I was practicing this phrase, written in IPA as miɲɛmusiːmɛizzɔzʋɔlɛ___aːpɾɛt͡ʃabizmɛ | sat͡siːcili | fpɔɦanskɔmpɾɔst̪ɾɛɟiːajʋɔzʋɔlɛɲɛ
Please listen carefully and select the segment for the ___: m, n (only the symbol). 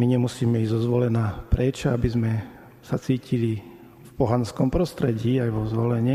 n